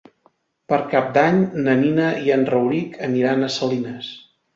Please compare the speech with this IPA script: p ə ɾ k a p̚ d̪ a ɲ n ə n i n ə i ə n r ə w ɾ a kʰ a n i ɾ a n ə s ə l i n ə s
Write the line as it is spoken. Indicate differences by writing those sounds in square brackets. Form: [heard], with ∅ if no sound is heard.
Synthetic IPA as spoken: p ə ɾ k a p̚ d̪ a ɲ n ə n i n ə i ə n r ə w ɾ [i] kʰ [ə] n i ɾ a n ə s ə l i n ə s